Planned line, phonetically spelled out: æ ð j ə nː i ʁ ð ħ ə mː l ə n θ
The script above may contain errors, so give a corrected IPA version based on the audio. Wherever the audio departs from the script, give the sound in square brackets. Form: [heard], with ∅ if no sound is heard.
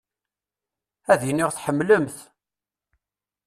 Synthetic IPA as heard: æ ð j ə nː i ʁ [θ] ħ ə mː l ə [m] θ